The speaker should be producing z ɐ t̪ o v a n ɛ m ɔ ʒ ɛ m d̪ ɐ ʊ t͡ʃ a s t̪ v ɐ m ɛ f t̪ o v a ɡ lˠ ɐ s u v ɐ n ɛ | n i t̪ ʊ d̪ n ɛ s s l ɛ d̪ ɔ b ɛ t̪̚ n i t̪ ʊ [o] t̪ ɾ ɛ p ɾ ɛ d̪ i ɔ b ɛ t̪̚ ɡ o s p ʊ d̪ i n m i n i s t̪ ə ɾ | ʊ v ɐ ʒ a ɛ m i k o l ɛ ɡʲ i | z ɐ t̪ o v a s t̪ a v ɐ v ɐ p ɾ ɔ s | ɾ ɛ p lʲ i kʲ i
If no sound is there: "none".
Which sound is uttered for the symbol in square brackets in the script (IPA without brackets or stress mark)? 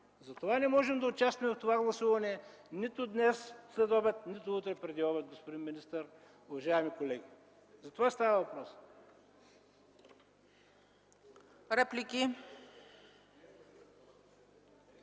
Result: u